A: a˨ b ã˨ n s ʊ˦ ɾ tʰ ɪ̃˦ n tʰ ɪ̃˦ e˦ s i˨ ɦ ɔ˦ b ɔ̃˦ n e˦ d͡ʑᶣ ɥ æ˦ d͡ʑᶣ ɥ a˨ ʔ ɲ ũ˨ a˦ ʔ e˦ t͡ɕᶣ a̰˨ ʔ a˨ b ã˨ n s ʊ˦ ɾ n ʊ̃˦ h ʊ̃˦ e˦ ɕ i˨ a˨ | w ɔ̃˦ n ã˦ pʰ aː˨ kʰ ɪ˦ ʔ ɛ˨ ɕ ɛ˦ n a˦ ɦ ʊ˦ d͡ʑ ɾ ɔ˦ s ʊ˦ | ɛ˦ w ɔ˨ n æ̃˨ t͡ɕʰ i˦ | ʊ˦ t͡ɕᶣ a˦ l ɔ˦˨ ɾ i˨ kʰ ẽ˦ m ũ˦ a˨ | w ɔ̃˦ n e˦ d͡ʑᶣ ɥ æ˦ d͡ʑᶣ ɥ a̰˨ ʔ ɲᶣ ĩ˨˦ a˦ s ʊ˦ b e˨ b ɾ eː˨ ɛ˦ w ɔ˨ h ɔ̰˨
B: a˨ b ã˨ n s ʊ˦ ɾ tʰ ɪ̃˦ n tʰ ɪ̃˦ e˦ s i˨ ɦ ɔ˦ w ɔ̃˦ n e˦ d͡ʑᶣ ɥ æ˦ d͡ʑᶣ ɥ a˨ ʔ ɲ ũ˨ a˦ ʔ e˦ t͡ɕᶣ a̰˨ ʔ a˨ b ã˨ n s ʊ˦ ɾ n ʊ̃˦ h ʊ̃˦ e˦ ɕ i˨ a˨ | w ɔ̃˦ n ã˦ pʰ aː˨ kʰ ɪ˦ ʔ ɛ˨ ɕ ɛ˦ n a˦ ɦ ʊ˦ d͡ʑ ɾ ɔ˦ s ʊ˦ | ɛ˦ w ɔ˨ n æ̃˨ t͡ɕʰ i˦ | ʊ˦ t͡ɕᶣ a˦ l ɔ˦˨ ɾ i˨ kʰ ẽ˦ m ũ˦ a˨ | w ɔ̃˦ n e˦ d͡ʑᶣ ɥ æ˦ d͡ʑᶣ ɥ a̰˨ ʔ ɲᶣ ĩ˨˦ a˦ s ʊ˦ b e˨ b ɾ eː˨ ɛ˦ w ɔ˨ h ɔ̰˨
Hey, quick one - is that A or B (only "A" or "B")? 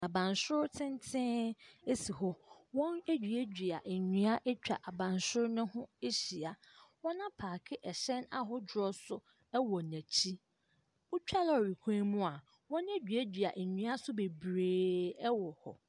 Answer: B